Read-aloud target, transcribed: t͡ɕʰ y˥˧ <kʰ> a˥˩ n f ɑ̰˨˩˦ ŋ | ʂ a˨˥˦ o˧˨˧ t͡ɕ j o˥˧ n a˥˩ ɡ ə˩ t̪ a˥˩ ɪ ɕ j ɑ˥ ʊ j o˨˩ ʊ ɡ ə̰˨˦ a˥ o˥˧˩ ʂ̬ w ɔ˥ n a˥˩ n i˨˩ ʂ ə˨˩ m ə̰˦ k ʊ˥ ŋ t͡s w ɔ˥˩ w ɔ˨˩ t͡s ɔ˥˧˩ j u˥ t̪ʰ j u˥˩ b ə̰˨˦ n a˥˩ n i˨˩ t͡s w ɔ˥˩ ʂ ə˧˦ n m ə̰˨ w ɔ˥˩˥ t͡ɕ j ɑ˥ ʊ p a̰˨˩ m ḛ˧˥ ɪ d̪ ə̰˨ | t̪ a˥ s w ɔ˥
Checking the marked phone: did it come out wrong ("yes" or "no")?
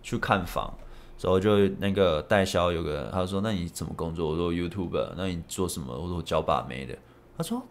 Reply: no